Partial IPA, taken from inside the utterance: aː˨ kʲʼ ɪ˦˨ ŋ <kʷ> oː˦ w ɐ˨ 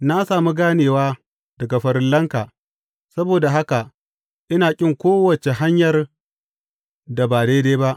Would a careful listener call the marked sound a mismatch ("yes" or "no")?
no